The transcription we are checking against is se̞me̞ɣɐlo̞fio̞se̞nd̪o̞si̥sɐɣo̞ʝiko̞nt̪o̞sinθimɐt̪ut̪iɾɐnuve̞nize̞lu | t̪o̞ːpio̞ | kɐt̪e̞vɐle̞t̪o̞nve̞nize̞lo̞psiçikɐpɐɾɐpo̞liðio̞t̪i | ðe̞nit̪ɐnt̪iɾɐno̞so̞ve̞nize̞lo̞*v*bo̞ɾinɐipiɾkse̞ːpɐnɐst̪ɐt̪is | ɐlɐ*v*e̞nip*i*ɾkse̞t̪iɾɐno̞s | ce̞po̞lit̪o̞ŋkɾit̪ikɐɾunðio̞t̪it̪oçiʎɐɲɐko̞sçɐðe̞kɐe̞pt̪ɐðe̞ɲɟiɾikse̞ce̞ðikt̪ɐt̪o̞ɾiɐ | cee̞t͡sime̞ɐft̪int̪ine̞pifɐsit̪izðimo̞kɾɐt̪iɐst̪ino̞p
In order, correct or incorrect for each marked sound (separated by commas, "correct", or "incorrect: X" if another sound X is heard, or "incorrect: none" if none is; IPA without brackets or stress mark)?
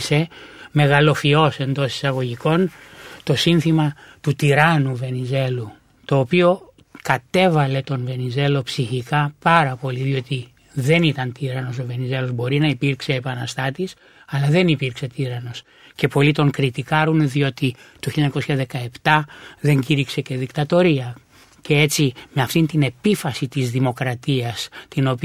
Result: incorrect: z, incorrect: ð, correct